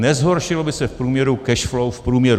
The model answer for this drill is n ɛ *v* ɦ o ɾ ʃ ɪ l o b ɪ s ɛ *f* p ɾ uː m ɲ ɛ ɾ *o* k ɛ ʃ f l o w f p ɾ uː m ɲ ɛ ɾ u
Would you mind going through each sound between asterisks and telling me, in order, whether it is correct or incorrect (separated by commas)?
incorrect, correct, incorrect